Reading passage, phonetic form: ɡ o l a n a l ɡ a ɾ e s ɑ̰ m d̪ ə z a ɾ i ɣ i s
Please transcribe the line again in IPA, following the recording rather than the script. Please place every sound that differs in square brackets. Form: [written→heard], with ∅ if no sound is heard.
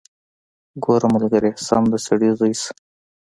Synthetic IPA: ɡ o [l→ɾ] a [n→m] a l ɡ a ɾ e s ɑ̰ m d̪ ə [z→s] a [ɾ→ɽ] i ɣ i s